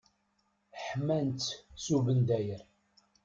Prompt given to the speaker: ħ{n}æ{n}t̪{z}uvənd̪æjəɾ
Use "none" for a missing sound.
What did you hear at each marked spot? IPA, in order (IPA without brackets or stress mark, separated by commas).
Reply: m, n, s